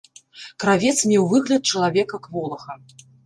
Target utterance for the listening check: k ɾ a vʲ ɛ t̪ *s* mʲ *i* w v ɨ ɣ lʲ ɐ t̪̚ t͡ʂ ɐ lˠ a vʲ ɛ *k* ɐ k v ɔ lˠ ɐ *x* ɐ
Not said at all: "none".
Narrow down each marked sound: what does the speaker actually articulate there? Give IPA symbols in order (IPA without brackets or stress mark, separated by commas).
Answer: s, ɛ, k, x